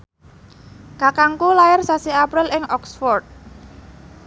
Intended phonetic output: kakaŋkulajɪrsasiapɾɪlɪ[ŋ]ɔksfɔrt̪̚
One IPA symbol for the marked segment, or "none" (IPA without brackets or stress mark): ŋ